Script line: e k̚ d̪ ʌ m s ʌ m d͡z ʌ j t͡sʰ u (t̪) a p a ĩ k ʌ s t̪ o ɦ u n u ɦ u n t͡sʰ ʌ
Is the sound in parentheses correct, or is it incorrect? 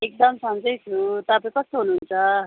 correct